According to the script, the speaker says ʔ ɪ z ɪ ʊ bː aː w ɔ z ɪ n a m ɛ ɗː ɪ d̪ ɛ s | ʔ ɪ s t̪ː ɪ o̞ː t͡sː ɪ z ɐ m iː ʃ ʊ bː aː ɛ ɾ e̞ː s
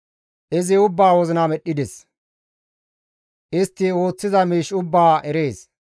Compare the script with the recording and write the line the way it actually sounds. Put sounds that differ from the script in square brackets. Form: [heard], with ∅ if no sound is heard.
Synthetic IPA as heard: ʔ ɪ z ɪ ʊ bː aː w ɔ z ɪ n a m ɛ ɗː ɪ d̪ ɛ s | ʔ ɪ s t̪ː ɪ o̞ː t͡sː ɪ z ɐ m iː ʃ ʊ bː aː ɛ ɾ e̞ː s